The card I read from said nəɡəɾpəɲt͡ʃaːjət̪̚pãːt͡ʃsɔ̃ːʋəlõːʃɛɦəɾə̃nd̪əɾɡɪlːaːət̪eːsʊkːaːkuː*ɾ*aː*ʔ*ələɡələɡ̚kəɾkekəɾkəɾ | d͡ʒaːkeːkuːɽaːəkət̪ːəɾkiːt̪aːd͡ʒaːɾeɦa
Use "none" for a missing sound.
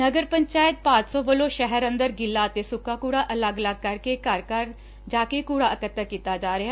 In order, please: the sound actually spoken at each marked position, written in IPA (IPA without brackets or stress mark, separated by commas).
ɽ, ʔ